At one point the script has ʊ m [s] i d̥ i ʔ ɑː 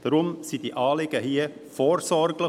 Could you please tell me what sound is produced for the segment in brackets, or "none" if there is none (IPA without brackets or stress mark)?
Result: s